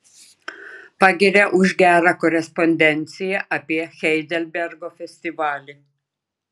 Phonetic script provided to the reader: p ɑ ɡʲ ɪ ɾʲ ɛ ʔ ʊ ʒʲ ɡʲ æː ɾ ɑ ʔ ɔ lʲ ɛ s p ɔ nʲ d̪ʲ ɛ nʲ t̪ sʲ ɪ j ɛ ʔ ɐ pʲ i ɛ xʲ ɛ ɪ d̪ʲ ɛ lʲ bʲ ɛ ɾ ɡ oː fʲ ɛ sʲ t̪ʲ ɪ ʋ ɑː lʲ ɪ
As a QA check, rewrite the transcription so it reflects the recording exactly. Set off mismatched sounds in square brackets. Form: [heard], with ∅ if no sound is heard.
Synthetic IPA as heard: p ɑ ɡʲ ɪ ɾʲ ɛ ʔ ʊ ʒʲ ɡʲ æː ɾ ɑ [k] ɔ [ɾʲ] ɛ s p ɔ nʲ d̪ʲ ɛ nʲ t̪ sʲ ɪ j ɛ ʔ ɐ pʲ i ɛ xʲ ɛ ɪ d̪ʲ ɛ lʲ bʲ ɛ ɾ ɡ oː fʲ ɛ sʲ t̪ʲ ɪ ʋ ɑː lʲ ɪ